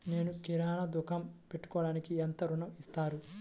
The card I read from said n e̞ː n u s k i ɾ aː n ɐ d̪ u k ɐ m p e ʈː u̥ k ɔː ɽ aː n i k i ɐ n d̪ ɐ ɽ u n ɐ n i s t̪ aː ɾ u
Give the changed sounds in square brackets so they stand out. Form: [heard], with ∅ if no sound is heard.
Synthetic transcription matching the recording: n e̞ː n u [∅] k i ɾ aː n ɐ d̪ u k ɐ m p e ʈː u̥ k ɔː ɽ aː n i k i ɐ n [t̪] ɐ [ɾ] u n ɐ [m] i s t̪ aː ɾ u